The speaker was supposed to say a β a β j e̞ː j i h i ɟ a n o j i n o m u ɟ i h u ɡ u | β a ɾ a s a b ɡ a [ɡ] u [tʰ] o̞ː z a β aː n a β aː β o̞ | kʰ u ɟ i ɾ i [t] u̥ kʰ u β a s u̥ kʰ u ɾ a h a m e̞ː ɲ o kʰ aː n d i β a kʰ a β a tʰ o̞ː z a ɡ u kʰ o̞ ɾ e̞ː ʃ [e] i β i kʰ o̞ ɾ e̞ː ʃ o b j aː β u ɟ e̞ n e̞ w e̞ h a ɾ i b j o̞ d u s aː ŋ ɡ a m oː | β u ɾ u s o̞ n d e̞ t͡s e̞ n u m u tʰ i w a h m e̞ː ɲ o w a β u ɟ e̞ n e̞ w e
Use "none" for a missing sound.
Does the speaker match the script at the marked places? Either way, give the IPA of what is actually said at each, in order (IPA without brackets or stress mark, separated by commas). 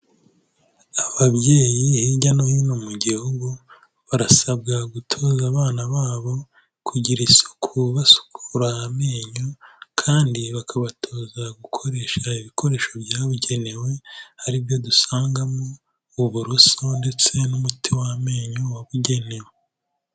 ɡ, tʰ, s, a